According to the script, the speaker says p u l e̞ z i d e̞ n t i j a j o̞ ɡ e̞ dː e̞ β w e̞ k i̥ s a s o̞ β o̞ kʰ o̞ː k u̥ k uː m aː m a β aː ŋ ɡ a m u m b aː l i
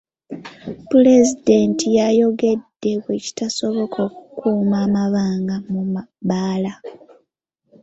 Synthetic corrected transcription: p u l e̞ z i d e̞ n t i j a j o̞ ɡ e̞ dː e̞ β w e̞ c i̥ t a s o̞ β o̞ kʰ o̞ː k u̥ k uː m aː m a β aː ŋ ɡ a m u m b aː l a